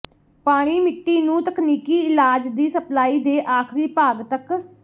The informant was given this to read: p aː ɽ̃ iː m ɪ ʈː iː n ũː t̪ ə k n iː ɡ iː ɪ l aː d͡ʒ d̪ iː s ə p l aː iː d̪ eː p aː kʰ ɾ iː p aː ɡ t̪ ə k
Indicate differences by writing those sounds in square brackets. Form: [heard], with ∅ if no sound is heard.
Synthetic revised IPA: p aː ɽ̃ iː m ɪ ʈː iː n ũː t̪ ə k n iː [k] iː ɪ l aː d͡ʒ d̪ iː s ə p l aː iː d̪ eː [ʔ] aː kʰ ɾ iː p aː ɡ t̪ ə k